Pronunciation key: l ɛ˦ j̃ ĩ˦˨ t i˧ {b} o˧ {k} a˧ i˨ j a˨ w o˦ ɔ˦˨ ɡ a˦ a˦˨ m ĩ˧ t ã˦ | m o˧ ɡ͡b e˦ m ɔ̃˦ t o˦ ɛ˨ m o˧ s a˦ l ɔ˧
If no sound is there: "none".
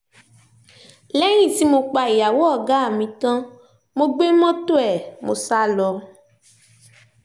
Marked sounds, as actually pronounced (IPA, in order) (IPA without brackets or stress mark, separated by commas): m, k͡p